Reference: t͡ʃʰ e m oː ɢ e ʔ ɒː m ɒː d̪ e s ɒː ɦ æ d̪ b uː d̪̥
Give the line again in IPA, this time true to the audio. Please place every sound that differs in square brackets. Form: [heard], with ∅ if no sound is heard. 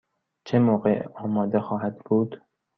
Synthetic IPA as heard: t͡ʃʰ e m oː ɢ e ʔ ɒː m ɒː d̪ e [x] ɒː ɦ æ d̪ b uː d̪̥